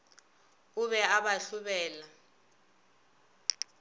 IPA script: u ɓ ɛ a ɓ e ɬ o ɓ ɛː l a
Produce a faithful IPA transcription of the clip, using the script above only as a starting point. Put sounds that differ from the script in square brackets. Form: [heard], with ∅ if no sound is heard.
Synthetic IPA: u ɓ ɛ a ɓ [a] ɬ [u] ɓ ɛː l a